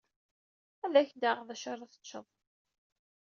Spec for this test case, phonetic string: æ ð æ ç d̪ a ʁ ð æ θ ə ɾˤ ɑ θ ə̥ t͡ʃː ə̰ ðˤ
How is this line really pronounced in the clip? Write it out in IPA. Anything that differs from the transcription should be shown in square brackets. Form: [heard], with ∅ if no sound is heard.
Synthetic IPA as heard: æ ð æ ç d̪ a ʁ ð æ [ʃ] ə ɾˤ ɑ θ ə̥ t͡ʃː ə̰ ðˤ